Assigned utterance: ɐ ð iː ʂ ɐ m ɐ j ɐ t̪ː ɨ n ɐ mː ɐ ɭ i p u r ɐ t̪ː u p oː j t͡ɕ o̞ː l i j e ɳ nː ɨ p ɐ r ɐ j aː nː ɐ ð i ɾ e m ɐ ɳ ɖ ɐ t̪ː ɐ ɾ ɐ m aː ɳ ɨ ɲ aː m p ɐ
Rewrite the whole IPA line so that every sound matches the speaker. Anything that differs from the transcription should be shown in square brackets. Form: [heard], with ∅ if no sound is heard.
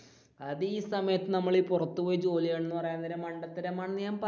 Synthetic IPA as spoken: ɐ ð iː [s] ɐ m ɐ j ɐ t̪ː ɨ n ɐ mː ɐ ɭ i p u r ɐ t̪ː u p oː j t͡ɕ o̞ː l i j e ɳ nː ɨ p ɐ r ɐ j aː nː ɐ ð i ɾ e m ɐ ɳ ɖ ɐ t̪ː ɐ ɾ ɐ m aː ɳ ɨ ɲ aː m p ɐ